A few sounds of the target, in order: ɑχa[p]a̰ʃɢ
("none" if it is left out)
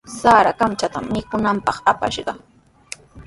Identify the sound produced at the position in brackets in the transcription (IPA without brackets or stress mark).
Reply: p